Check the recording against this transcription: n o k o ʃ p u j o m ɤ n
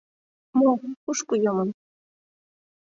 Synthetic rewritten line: m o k u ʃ k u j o m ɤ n